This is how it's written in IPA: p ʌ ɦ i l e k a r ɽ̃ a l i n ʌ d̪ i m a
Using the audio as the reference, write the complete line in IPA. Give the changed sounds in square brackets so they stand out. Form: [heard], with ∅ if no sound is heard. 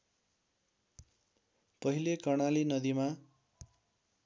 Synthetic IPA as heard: p ʌ ɦ i l e k [ʌ] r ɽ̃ a l i n ʌ d̪ i m a